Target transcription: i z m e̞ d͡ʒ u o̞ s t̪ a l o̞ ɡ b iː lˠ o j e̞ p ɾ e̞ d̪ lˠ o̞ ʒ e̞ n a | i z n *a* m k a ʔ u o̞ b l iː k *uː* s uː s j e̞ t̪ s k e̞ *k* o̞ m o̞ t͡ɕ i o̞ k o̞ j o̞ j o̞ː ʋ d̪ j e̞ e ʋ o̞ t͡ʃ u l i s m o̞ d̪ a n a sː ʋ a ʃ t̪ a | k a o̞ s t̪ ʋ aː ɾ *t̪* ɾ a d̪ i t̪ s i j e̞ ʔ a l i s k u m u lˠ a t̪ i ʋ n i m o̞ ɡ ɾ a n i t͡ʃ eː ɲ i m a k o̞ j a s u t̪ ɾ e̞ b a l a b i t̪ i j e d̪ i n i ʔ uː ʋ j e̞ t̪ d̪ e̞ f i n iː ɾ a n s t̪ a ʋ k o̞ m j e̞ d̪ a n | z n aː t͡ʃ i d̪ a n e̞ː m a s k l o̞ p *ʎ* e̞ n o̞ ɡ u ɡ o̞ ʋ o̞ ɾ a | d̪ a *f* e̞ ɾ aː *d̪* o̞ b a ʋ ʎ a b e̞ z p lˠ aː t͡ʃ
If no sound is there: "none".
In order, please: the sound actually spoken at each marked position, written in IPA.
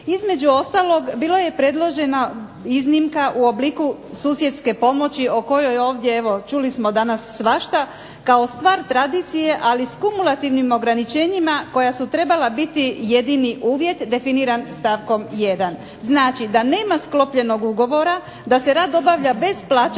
i, u, p, t̪, ʎ, s, d̪

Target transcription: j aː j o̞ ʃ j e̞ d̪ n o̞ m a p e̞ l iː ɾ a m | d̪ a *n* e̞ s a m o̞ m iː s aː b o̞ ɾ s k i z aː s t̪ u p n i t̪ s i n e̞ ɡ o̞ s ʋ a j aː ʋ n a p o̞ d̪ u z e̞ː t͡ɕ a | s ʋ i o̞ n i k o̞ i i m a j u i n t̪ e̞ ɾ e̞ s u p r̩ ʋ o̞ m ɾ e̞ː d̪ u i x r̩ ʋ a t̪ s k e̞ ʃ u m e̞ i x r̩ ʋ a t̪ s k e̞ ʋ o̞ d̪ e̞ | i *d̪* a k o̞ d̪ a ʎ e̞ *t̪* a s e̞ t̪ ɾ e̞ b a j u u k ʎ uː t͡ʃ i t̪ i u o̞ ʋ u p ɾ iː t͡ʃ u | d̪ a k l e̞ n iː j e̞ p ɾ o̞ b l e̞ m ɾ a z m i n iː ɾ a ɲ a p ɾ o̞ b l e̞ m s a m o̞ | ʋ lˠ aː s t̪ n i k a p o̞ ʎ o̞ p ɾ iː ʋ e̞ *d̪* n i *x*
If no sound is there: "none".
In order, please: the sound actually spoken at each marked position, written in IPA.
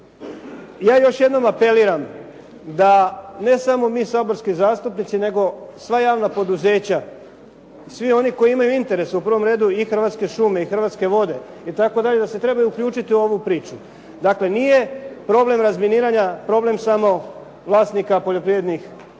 n, t̪, d̪, d̪, x

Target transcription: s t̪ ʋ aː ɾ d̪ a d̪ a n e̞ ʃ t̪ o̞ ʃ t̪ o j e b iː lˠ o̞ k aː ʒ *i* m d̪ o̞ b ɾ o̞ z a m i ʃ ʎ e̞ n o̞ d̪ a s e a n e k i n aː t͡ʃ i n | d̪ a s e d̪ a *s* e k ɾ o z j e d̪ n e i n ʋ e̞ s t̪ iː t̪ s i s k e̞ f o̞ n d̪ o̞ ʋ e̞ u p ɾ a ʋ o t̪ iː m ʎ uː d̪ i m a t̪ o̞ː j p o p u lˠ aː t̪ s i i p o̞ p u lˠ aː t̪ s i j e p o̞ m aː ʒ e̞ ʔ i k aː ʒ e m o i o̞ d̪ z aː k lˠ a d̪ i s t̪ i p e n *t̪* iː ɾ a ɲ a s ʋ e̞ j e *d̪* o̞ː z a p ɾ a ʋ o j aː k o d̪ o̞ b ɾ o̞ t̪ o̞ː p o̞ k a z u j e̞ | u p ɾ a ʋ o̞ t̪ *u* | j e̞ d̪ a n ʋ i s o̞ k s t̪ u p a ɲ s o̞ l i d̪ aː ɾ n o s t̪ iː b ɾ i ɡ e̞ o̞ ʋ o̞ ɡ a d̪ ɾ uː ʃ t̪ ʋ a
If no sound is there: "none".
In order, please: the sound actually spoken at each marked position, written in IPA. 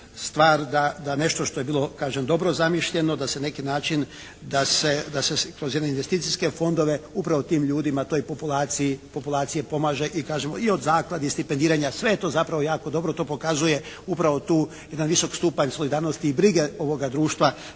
e, s, d̪, t̪, uː

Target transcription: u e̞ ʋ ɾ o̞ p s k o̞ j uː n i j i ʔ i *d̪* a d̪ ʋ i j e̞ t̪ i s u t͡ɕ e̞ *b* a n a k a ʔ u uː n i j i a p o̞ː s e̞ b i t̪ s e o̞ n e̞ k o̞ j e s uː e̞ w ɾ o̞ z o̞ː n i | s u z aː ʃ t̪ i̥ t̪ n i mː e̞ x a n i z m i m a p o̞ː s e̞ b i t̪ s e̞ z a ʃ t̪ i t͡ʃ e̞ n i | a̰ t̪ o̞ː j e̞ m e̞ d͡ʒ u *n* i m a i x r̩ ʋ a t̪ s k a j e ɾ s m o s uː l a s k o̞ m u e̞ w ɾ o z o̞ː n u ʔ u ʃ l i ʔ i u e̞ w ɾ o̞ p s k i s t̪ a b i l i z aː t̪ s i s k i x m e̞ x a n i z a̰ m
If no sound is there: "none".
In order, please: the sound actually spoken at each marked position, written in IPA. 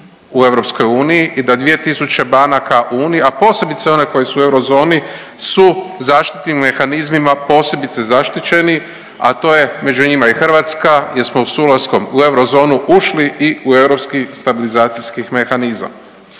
d̪, b, ɲ

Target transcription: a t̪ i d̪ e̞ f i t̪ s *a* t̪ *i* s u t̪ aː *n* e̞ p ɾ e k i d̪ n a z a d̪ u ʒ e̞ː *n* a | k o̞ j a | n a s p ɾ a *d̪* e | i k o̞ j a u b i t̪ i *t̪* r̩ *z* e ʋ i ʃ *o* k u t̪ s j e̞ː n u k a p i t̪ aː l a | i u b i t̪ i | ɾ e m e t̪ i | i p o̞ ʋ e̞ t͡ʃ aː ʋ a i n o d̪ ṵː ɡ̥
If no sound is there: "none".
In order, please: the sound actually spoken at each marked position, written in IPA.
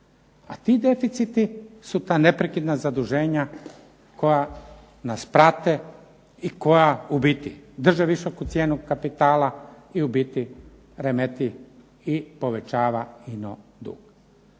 i, i, n, ɲ, t̪, d̪, ʒ, o

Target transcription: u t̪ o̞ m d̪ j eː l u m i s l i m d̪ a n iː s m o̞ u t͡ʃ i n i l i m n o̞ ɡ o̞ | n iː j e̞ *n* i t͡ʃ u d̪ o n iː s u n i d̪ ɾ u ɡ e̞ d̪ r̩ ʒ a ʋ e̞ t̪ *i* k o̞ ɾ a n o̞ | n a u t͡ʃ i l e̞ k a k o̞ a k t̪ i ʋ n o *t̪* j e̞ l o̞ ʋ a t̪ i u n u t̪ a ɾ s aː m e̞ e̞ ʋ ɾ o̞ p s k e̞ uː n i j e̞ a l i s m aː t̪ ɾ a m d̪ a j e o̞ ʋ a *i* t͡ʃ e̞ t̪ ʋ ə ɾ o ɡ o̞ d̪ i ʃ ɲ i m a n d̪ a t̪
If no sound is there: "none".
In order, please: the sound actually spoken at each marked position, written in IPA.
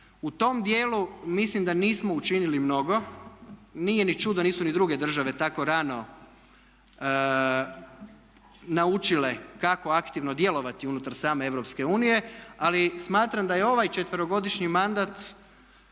n, a, d̪, j

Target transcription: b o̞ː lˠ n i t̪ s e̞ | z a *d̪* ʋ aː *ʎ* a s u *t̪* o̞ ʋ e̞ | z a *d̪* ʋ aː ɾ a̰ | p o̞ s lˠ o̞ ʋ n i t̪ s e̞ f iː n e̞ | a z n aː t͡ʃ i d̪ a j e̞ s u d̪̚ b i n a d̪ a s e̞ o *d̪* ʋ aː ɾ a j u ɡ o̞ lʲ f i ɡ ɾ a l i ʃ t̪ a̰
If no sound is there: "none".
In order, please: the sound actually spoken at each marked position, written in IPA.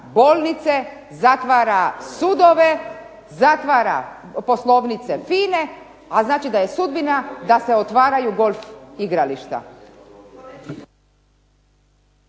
t̪, ɾ, d̪, t̪, t̪

